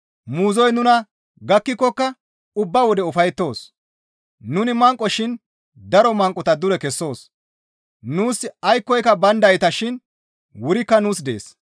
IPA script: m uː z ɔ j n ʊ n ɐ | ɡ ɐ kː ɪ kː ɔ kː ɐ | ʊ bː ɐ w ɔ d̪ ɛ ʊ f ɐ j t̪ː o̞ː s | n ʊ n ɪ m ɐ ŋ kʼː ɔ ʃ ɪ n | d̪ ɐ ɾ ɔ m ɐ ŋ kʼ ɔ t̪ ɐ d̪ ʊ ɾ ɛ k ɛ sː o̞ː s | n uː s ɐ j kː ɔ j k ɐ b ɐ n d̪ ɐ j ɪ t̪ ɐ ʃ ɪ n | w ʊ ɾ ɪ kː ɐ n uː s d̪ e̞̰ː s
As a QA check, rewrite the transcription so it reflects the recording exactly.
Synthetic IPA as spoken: m uː z ɔ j n ʊ n ɐ | ɡ ɐ kː ɪ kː ɔ kː ɐ | ʊ bː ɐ w ɔ d̪ ɛ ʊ f ɐ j t̪ː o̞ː s | n ʊ n ɪ m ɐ ŋ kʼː ɔ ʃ ɪ n | d̪ ɐ ɾ ɔ m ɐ ŋ kʼ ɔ t̪ ɐ d̪ ʊ ɾ ɛ k ɛ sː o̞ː s | n uː s ɐ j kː ɔ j k ɐ b ɐ n d̪ ɐ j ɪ t̪ ɐ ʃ ɪ n | w ʊ ɾ ɪ kː ɐ n uː s d̪ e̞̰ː s

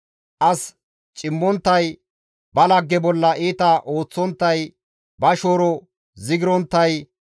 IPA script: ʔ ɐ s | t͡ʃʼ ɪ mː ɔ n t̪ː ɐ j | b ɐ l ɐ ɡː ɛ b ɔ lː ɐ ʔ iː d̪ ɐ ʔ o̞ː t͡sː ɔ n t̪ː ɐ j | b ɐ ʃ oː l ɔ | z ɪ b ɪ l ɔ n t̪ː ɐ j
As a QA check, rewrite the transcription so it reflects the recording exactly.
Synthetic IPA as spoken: ʔ ɐ s | t͡ʃʼ ɪ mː ɔ n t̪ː ɐ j | b ɐ l ɐ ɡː ɛ b ɔ lː ɐ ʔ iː t̪ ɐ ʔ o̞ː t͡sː ɔ n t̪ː ɐ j | b ɐ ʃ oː ɾ ɔ | z ɪ ɡ ɪ ɾ ɔ n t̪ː ɐ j

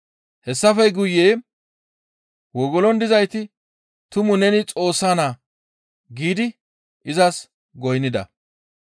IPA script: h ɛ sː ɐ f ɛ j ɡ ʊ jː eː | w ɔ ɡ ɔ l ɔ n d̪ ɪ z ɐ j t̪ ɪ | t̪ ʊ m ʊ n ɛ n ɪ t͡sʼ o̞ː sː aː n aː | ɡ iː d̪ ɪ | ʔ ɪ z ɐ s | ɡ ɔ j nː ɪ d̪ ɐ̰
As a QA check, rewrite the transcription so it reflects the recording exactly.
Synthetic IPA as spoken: h ɛ sː ɐ f ɛ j ɡ ʊ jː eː | w ɔ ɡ ɔ l ɔ n d̪ ɪ z ɐ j t̪ ɪ | t̪ ʊ m ʊ n ɛ n ɪ t͡sʼ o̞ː sː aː n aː | ɡ iː d̪ ɪ | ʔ ɪ z ɐ s | ɡ ɔ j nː ɪ d̪ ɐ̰

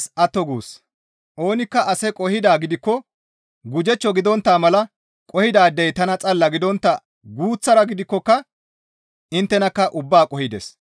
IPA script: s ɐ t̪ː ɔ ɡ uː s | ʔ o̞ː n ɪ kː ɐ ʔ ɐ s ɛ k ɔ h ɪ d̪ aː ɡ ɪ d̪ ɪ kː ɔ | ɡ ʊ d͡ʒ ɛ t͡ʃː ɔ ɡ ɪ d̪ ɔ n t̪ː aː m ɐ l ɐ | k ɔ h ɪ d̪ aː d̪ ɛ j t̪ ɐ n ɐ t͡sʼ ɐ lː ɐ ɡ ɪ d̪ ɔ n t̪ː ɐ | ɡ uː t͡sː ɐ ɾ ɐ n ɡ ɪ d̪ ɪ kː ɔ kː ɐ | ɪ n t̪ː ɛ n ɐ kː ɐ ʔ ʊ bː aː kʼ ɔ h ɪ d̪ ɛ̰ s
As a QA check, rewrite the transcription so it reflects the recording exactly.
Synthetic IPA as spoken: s ɐ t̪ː ɔ ɡ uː s | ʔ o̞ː n ɪ kː ɐ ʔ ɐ s ɛ kʼ ɔ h ɪ d̪ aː ɡ ɪ d̪ ɪ kː ɔ | ɡ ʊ d͡ʒ ɛ t͡ʃː ɔ ɡ ɪ d̪ ɔ n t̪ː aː m ɐ l ɐ | kʼ ɔ h ɪ d̪ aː d̪ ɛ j t̪ ɐ n ɐ t͡sʼ ɐ lː ɐ ɡ ɪ d̪ ɔ n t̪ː ɐ | ɡ uː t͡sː ɐ ɾ ɐ ɡ ɪ d̪ ɪ kː ɔ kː ɐ | ɪ n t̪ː ɛ n ɐ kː ɐ ʔ ʊ bː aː kʼ ɔ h ɪ d̪ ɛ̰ s

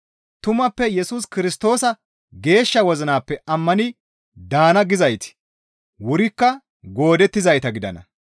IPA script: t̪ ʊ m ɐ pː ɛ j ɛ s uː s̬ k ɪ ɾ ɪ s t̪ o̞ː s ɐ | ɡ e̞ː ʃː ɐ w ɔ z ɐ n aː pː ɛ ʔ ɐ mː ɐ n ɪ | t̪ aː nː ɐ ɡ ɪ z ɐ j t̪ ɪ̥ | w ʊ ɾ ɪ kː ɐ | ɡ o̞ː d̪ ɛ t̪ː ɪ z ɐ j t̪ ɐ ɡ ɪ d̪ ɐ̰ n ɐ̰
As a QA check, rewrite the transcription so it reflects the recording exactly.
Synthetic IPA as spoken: t̪ ʊ m ɐ pː ɛ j ɛ s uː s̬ k ɪ ɾ ɪ s t̪ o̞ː s ɐ | ɡ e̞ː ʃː ɐ w ɔ z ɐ n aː pː ɛ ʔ ɐ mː ɐ n ɪ | d̪ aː n ɐ ɡ ɪ z ɐ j t̪ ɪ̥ | w ʊ ɾ ɪ kː ɐ | ɡ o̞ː d̪ ɛ t̪ː ɪ z ɐ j t̪ ɐ ɡ ɪ d̪ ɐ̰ n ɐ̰

